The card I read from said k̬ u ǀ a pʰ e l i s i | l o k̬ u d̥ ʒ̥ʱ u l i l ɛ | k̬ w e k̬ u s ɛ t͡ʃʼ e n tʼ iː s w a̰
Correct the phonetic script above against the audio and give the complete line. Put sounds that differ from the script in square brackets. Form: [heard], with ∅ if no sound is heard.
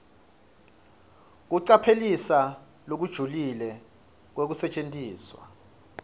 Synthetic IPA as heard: k̬ u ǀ a pʰ e l i s [a] | l o k̬ u d̥ ʒ̥ʱ u l i l ɛ | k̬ w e k̬ u s ɛ t͡ʃʼ e n tʼ iː s w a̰